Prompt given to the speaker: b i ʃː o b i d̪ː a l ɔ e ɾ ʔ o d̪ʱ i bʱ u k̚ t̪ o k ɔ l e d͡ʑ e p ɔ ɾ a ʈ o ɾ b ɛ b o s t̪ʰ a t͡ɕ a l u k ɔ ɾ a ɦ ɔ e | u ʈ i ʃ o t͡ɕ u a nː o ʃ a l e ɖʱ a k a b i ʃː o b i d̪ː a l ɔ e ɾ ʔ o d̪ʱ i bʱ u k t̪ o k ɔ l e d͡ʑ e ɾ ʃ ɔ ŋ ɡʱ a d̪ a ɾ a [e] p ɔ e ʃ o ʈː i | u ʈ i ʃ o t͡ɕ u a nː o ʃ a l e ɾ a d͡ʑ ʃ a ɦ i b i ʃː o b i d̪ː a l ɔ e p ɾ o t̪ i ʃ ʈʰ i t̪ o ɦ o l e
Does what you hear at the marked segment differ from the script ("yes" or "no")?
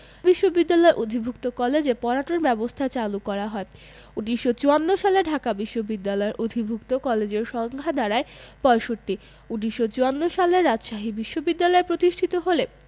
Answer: no